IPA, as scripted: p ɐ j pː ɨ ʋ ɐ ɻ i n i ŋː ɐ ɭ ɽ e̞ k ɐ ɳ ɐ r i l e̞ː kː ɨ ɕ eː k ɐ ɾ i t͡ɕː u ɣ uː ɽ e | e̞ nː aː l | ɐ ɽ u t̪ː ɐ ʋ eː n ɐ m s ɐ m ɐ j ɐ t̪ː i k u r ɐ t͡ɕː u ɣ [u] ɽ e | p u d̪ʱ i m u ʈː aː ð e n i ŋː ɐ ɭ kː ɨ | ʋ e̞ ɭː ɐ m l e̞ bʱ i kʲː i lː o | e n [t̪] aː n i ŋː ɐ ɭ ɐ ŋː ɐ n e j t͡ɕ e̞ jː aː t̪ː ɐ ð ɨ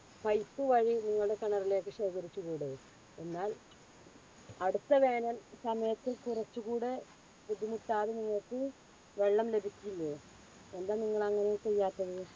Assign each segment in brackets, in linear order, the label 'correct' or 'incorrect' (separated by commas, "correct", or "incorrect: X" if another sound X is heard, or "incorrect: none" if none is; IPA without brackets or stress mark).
incorrect: uː, incorrect: d̪